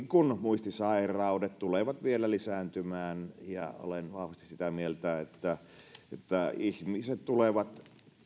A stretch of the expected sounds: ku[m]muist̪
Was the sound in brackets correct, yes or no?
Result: no